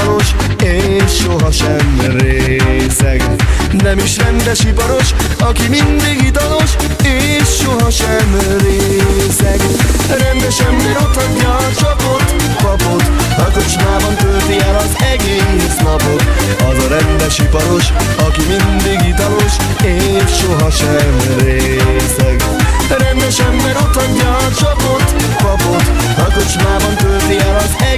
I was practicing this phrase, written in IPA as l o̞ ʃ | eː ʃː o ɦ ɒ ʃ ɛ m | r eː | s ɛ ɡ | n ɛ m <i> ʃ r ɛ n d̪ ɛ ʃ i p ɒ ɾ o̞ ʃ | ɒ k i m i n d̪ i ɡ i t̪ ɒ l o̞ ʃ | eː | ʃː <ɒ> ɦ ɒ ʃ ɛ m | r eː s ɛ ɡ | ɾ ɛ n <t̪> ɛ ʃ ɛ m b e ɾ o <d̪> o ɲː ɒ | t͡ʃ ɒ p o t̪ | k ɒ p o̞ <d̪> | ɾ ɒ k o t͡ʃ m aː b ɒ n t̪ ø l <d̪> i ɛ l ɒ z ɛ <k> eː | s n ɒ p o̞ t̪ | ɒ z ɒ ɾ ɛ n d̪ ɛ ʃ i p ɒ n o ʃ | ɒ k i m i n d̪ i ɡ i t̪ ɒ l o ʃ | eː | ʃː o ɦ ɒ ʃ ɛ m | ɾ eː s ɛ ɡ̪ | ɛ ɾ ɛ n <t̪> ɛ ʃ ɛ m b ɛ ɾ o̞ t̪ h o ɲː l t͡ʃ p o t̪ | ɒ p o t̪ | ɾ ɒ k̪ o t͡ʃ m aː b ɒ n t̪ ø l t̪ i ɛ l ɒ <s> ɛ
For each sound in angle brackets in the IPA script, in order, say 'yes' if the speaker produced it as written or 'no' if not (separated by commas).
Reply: yes, no, no, no, no, no, no, no, no